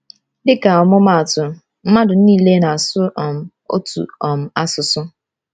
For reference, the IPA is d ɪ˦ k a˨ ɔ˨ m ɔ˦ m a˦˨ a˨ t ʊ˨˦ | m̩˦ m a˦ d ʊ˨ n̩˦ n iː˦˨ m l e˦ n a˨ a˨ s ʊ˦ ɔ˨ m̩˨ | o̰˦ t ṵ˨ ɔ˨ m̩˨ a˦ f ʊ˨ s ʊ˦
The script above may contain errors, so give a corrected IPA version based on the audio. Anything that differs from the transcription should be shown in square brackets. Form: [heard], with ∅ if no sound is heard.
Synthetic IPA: d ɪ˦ k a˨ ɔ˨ m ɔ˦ m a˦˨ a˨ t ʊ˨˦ | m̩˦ m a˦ d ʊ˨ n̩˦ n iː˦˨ [∅] l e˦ n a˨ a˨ s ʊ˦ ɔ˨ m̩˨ | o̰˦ t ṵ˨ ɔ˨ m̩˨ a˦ [s] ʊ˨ s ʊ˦

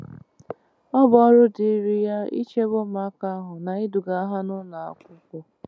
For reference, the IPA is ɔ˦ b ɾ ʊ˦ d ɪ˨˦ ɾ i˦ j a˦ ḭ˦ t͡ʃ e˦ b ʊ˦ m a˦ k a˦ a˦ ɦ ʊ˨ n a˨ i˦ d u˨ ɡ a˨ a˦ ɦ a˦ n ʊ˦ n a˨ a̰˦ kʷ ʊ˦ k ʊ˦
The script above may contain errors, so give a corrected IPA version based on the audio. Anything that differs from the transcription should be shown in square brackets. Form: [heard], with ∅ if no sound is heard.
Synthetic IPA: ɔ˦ b ɾ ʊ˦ d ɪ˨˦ ɾ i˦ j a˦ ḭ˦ t͡ʃ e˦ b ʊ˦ m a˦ k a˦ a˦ ɦ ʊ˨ n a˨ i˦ d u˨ ɡ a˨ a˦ ɦ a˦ n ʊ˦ n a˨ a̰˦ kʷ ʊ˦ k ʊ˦

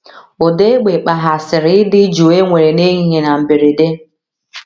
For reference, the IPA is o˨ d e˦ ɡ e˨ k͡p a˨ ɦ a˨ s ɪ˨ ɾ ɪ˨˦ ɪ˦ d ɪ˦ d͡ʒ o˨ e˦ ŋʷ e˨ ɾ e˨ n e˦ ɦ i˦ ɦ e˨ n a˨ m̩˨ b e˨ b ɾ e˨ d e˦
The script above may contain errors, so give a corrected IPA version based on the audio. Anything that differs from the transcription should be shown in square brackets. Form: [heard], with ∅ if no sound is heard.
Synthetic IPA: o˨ d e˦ [ɡ͡b] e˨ k͡p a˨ ɦ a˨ s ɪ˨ ɾ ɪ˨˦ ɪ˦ d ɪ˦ d͡ʒ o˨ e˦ ŋʷ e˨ ɾ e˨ n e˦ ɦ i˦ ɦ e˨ n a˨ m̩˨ b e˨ [∅] ɾ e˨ d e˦

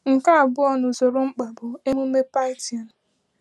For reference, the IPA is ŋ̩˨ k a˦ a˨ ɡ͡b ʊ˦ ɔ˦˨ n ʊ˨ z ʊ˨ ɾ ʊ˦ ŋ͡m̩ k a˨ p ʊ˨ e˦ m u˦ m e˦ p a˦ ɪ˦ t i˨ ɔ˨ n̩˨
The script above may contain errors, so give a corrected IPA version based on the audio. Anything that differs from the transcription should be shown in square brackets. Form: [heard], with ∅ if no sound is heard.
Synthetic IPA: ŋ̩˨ k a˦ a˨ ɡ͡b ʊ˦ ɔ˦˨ n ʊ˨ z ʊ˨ ɾ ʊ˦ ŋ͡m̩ [k͡p] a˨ [b] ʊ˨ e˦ m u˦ m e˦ p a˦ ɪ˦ t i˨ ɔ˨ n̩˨

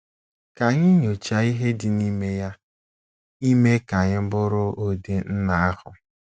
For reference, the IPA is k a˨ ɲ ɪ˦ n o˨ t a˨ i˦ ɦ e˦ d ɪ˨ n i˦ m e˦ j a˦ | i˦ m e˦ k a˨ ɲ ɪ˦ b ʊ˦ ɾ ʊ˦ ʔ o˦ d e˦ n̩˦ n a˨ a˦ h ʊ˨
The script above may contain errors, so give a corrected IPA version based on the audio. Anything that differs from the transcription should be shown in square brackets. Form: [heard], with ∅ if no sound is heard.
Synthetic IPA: k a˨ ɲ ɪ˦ [ɲ] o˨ [t͡ʃ] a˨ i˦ ɦ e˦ d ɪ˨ n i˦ m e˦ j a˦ | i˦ m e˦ k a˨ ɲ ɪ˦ b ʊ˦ ɾ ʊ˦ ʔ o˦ d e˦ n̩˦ n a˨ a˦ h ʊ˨

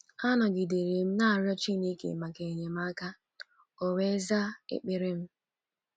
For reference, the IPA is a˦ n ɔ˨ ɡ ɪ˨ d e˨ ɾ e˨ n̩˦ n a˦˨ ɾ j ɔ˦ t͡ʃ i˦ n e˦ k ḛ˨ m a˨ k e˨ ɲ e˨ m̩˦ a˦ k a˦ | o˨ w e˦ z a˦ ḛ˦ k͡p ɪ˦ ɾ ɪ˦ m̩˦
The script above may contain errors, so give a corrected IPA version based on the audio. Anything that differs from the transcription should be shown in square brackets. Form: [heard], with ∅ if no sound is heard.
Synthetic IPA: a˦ n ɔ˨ ɡ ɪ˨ d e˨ ɾ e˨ [m̩˦] n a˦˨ ɾ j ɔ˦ t͡ʃ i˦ n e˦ k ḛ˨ m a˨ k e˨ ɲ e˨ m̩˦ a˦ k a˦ | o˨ w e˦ z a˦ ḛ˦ k͡p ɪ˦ ɾ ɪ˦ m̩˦

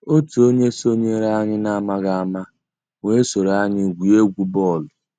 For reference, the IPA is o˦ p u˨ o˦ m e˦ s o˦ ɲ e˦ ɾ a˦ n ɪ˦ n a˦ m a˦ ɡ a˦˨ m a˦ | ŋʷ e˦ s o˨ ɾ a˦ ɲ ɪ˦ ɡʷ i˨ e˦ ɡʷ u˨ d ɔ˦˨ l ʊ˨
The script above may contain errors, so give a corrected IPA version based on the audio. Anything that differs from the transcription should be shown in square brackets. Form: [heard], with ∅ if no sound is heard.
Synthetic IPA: o˦ [t] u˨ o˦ [ɲ] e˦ s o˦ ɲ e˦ ɾ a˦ [ɲ] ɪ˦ n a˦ m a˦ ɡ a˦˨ m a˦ | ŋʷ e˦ s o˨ ɾ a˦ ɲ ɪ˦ ɡʷ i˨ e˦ ɡʷ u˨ [b] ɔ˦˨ l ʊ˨

